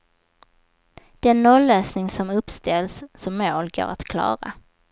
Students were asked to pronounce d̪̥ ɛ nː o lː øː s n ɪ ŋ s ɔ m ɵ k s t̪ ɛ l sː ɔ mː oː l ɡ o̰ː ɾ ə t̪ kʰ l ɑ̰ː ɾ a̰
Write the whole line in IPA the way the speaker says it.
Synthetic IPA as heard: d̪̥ ɛ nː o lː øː s n ɪ ŋ s ɔ m ɵ p s t̪ ɛ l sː ɔ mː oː l ɡ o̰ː ɾ a t̪ kʰ l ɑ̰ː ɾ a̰